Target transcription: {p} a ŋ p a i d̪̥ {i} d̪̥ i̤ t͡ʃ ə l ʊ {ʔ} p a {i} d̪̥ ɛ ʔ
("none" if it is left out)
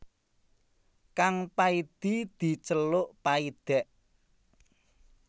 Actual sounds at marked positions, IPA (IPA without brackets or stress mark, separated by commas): k, i, ʔ, i